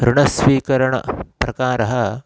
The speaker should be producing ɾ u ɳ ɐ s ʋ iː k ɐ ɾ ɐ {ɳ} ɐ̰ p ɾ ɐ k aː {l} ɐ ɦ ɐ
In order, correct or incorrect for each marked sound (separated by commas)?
correct, incorrect